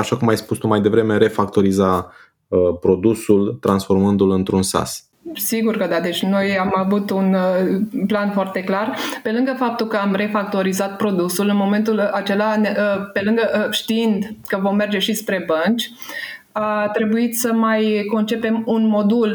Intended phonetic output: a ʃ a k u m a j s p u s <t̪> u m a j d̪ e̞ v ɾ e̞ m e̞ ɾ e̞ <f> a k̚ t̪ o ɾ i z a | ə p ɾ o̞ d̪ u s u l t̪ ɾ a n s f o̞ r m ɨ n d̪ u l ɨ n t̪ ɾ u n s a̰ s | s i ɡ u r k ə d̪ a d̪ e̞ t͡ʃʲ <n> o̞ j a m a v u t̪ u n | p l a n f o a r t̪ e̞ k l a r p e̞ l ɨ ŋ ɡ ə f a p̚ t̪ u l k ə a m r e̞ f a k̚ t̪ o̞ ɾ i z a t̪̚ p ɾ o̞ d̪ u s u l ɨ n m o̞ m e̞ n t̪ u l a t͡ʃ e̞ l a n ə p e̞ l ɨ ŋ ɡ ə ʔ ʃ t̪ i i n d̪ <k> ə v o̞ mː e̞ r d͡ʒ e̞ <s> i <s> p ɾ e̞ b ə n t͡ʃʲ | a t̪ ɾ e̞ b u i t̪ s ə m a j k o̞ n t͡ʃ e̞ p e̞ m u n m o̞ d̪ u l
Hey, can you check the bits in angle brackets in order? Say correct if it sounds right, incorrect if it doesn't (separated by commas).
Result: correct, correct, correct, correct, incorrect, correct